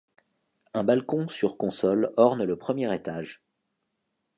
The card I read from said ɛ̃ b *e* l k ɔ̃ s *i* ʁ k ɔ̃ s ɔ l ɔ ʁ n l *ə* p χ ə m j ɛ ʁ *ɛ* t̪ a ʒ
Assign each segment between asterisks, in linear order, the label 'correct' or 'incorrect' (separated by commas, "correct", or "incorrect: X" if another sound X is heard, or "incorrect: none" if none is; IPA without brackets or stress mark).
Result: incorrect: a, incorrect: y, correct, incorrect: e